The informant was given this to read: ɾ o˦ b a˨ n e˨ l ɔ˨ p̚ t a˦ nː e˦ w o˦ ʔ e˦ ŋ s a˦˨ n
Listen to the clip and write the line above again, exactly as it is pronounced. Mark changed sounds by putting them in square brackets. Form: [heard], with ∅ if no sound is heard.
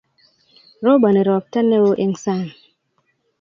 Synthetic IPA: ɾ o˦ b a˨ n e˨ [ɾ] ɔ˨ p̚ t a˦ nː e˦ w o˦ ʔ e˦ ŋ s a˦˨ n